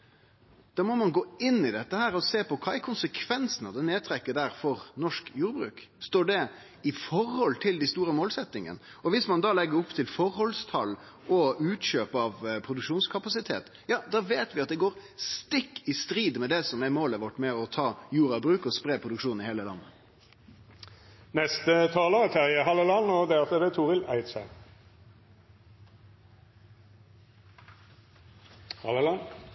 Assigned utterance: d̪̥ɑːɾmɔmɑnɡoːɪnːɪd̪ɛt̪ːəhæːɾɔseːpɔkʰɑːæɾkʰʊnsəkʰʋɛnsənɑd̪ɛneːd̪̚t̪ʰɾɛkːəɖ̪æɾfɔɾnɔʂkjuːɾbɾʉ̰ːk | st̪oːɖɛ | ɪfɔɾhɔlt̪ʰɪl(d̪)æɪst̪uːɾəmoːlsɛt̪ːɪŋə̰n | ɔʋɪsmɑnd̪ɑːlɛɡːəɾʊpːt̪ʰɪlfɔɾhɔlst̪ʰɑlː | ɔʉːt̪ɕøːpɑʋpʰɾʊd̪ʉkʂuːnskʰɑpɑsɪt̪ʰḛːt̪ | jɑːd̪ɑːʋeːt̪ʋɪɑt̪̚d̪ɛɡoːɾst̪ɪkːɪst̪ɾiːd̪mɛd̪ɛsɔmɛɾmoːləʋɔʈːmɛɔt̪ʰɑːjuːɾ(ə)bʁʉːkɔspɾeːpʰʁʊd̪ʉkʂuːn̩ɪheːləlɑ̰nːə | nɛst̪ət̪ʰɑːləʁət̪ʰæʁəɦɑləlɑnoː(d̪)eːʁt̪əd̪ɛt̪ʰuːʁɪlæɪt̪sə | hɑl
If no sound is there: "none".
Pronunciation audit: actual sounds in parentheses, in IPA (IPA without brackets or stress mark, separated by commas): d̪, ɑ, d̪